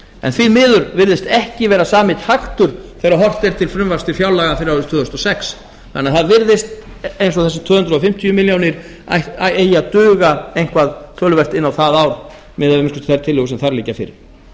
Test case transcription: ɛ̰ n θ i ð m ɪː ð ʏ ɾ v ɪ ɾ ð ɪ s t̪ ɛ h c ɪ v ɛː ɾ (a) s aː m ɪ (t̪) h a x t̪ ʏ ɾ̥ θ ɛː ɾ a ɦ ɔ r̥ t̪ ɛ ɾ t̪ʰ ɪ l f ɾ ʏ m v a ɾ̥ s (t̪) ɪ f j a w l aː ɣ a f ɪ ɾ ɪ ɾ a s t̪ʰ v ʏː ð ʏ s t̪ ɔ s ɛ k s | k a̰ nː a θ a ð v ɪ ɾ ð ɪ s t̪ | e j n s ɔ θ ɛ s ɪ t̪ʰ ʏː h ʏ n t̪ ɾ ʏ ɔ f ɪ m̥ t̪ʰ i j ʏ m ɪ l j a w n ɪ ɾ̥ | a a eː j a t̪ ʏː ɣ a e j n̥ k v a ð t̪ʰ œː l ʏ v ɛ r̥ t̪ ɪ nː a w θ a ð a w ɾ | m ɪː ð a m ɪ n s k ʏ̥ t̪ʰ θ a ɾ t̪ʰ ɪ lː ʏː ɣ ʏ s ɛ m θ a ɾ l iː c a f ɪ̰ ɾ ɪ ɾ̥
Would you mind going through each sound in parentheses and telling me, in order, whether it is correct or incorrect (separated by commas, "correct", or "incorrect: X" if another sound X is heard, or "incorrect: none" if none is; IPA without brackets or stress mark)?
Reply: correct, correct, correct